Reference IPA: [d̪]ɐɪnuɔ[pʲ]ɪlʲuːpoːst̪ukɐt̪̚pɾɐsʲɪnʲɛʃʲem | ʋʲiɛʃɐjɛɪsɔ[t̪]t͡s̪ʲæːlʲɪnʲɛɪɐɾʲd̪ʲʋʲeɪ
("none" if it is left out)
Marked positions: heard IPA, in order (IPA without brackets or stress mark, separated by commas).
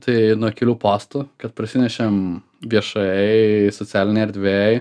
t̪, kʲ, none